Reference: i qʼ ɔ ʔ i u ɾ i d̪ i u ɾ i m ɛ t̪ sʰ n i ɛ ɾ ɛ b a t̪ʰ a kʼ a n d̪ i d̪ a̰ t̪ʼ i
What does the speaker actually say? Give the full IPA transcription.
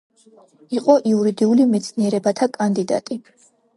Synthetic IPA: i qʼ ɔ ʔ i u ɾ i d̪ i u l i m ɛ t̪ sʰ n i ɛ ɾ ɛ b a t̪ʰ a kʼ a n d̪ i d̪ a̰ t̪ʼ i